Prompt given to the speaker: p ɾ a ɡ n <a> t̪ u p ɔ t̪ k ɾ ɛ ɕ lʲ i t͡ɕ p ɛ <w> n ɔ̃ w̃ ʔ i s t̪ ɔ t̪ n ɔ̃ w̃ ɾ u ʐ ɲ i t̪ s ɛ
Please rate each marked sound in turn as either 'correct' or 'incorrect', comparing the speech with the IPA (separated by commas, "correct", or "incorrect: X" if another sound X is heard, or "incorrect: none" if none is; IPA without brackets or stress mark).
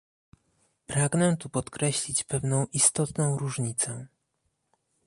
incorrect: ɛ, incorrect: v